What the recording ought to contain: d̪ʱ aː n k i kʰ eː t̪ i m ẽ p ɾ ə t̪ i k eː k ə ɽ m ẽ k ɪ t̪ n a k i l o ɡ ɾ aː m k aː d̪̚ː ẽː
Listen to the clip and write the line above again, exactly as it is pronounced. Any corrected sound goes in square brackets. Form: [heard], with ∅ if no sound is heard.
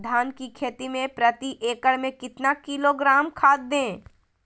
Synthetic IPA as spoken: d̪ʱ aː n k i kʰ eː t̪ i m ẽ p ɾ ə t̪ i [ʔ] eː k ə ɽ m ẽ k ɪ t̪ n a k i l o ɡ ɾ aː m [kʰ] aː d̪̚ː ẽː